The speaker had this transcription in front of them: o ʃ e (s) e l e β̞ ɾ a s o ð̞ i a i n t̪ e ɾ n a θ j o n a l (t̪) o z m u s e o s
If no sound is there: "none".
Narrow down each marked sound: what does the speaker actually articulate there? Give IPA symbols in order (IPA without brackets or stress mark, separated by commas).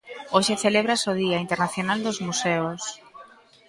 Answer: θ, d̪